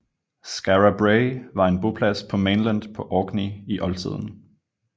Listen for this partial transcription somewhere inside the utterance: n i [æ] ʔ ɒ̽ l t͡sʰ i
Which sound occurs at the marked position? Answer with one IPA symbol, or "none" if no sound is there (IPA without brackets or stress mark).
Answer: i